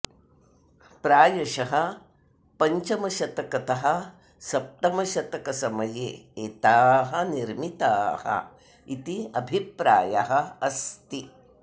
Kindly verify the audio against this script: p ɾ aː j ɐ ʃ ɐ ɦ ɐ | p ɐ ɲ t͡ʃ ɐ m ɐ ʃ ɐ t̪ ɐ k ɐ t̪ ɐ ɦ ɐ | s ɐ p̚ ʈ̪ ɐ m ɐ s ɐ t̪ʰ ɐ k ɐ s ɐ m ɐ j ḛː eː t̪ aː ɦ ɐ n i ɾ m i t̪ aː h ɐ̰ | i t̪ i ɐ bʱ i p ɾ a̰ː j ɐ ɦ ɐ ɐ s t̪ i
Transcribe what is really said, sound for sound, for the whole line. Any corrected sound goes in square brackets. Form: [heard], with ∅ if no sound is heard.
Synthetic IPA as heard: p ɾ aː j ɐ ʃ ɐ ɦ ɐ | p ɐ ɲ t͡ʃ ɐ m ɐ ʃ ɐ t̪ ɐ k ɐ t̪ ɐ ɦ ɐ | s ɐ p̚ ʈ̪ ɐ m ɐ [ʃ] ɐ [t̪] ɐ k ɐ s ɐ m ɐ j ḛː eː t̪ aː ɦ ɐ n i ɾ m i t̪ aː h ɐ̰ | i t̪ i ɐ bʱ i p ɾ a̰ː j ɐ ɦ ɐ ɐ s t̪ i